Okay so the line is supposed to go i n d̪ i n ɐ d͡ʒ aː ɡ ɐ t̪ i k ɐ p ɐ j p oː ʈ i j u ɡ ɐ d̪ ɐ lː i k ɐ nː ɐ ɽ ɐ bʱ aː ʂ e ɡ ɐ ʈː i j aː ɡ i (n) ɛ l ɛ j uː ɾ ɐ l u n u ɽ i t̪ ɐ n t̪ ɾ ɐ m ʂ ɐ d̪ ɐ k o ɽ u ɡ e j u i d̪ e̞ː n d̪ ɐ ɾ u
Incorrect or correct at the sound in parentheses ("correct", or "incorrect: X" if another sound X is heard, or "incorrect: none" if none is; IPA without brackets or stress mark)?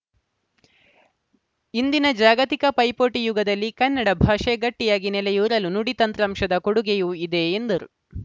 correct